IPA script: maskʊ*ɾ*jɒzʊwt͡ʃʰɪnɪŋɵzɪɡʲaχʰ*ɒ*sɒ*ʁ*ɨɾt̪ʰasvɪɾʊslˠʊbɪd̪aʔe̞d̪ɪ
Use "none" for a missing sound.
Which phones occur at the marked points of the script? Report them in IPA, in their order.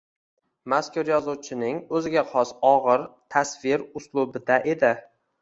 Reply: ɾ, ɒ, ʁ

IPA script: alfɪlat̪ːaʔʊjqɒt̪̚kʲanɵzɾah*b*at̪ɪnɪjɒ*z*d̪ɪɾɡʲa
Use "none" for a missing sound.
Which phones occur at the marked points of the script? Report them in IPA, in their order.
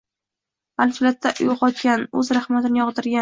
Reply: m, ʁ

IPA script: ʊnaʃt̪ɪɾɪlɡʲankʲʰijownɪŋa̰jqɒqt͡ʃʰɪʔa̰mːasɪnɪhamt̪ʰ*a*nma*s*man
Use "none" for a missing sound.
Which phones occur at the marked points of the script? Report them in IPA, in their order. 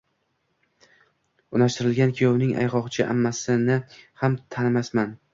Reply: a, s

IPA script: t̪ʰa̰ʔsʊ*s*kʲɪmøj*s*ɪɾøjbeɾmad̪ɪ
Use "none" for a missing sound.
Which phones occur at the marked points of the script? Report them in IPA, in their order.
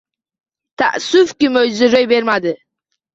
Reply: f, z

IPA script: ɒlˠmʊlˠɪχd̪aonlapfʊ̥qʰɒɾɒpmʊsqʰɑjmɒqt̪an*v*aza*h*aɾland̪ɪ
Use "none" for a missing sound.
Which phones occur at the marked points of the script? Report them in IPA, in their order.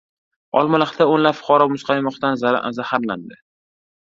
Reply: z, h

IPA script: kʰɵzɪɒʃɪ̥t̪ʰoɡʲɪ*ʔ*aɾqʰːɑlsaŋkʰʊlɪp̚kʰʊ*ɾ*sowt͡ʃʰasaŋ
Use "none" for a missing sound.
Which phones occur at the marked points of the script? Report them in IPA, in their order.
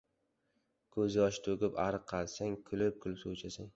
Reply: p, l

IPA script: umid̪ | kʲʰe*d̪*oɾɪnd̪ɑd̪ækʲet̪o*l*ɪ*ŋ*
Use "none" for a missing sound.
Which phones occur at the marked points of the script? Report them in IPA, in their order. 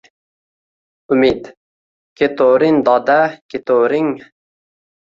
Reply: t̪, ɾ, ŋ

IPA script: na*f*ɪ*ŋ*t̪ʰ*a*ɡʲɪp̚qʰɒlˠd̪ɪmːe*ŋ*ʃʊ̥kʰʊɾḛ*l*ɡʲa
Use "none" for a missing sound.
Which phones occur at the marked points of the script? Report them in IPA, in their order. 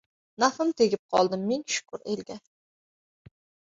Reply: f, m, e, ŋ, l

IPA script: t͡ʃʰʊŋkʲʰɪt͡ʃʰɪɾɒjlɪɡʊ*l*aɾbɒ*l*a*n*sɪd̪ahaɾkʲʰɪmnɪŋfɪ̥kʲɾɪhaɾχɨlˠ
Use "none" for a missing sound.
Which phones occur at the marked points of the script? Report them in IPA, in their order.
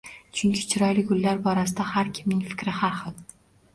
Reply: lː, ɾ, none

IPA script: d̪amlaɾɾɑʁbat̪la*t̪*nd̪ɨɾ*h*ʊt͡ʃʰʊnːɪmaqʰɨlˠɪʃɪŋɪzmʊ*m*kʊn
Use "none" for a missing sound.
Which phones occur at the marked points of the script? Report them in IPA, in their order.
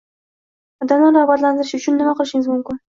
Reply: none, ʃ, m

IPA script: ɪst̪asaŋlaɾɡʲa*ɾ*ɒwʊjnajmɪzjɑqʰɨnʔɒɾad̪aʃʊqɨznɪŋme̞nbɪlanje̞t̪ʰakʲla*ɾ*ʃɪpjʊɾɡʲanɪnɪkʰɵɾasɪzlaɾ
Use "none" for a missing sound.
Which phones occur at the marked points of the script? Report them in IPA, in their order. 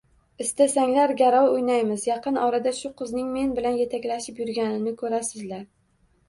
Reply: ɾ, none

